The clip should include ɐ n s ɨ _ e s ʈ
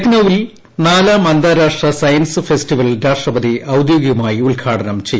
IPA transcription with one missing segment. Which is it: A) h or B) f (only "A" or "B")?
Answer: B